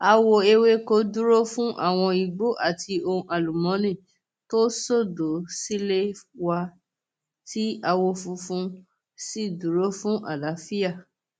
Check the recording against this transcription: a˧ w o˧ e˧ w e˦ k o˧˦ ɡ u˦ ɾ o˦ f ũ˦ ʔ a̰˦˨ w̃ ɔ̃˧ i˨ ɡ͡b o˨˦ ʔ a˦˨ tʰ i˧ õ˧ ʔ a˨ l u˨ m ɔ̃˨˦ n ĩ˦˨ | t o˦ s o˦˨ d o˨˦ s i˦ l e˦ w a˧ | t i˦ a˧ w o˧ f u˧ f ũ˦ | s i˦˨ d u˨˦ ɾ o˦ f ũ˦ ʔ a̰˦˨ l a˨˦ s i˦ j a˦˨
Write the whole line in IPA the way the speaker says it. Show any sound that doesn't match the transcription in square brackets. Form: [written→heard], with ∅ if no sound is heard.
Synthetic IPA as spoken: a˧ w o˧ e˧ w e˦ k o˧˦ [ɡ→d] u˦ ɾ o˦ f ũ˦ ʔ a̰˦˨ w̃ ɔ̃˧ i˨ ɡ͡b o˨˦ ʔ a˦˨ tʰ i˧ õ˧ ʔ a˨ l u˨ m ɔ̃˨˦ n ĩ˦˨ | t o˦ s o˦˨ d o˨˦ s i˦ l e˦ w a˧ | t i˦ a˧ w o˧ f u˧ f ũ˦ | s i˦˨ d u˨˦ ɾ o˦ f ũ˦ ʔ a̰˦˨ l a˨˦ [s→f] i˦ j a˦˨